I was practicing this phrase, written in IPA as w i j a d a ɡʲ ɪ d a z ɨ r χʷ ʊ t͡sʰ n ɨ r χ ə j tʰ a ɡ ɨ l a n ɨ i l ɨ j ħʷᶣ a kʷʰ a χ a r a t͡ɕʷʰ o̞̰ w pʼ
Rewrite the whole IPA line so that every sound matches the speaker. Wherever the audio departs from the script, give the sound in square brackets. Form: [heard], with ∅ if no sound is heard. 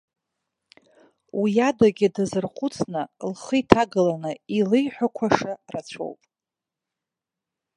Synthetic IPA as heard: w i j a d a ɡʲ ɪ d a z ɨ r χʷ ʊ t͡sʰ n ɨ [l] χ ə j tʰ a ɡ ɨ l a n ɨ i l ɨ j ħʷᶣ a kʷʰ a [ʂ] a r a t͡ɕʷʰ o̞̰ w pʼ